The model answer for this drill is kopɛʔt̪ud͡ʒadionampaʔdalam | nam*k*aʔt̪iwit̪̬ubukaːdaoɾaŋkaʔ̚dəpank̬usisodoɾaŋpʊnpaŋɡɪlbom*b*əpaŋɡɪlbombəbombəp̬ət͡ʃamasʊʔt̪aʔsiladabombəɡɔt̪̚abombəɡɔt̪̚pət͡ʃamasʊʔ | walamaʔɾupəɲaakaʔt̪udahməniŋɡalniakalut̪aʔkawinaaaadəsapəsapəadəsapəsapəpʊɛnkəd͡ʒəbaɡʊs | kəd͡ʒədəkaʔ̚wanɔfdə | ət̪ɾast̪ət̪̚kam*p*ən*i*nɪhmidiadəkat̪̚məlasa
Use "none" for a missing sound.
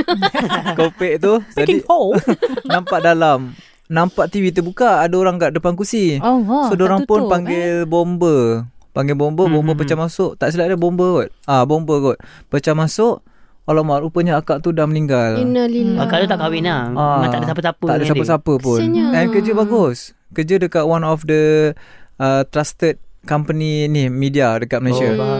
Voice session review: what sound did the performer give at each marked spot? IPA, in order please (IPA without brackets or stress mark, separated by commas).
p, b, p, i